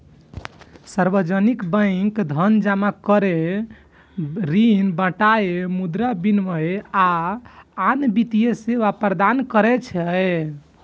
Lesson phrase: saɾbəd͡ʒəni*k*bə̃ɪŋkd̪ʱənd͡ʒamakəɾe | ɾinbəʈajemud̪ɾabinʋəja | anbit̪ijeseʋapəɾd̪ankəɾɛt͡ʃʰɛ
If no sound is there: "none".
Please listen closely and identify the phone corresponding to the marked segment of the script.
k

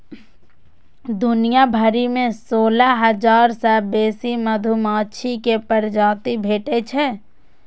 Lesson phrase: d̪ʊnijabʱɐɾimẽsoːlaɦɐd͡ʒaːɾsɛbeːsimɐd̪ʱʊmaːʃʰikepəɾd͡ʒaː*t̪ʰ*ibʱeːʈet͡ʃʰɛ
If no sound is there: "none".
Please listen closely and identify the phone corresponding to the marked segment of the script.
t̪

